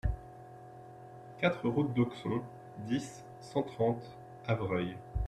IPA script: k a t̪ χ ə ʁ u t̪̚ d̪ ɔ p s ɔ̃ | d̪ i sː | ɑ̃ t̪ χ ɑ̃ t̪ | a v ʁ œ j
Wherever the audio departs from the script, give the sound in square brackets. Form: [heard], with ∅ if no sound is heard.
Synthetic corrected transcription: k a t̪ χ ə ʁ u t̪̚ d̪ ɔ [k] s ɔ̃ | d̪ i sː | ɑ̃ t̪ χ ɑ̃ t̪ | a v ʁ œ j